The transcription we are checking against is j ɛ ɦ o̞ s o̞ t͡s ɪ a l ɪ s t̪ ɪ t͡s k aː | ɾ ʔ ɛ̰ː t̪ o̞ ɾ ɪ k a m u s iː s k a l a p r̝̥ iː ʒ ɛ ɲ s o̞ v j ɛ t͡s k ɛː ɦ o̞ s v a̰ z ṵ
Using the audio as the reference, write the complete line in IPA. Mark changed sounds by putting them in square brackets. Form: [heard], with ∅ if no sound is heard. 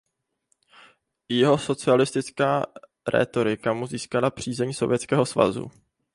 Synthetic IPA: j ɛ ɦ o̞ s o̞ t͡s ɪ a l ɪ s t̪ ɪ t͡s k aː | ɾ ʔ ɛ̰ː t̪ o̞ ɾ ɪ k a m u [z] iː s k a l a p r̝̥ iː [z] ɛ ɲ s o̞ v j ɛ t͡s k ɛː ɦ o̞ s v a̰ z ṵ